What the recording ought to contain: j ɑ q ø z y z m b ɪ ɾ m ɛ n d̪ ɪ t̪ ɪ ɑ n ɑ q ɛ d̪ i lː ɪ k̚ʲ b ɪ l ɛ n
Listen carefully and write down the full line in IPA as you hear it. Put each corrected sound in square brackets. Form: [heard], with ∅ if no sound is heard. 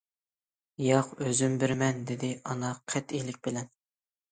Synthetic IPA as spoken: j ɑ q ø z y [∅] m b ɪ ɾ m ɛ n d̪ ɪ [d̪] ɪ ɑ n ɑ [qʰ] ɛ [t̪] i [l] ɪ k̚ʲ b ɪ l ɛ n